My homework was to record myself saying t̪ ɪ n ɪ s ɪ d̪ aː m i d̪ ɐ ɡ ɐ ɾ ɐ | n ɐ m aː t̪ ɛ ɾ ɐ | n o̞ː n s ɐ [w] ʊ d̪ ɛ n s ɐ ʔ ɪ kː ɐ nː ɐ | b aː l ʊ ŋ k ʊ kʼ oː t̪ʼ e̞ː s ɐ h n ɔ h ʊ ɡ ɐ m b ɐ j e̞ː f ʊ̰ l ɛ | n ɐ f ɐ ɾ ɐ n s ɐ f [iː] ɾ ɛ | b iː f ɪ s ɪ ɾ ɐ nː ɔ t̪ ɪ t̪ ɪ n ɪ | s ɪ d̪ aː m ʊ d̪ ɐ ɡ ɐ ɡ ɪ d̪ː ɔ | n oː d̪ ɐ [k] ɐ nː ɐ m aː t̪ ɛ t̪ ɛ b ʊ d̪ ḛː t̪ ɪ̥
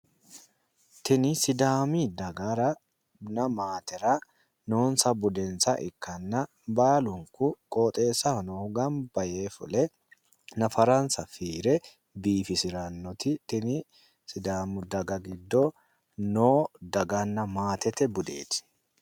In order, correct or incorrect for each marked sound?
incorrect: b, correct, incorrect: ɡ

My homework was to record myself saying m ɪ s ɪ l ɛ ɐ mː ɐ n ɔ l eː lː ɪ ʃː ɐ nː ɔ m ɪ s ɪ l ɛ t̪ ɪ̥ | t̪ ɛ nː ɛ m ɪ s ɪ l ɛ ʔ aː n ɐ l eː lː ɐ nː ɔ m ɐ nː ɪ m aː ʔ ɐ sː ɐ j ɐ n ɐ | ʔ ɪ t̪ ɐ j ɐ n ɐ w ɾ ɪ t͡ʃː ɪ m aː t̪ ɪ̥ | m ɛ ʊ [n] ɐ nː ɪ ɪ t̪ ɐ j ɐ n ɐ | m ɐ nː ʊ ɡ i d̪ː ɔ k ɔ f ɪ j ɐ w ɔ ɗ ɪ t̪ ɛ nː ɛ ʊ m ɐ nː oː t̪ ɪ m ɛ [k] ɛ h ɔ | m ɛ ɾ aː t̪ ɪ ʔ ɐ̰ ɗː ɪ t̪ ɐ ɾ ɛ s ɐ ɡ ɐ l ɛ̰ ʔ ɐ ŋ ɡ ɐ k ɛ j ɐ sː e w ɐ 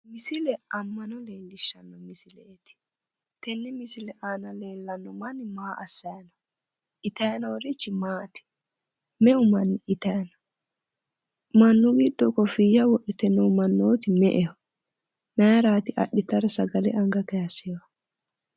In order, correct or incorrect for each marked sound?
incorrect: m, incorrect: ʔ

